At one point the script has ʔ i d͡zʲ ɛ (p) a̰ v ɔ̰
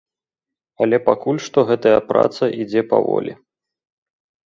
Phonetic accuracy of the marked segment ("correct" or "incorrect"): correct